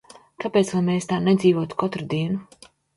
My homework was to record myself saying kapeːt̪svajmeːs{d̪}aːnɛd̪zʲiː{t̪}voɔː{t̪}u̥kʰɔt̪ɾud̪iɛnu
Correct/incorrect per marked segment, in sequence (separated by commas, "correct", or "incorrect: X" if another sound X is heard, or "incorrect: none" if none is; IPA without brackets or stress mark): incorrect: t̪, incorrect: none, correct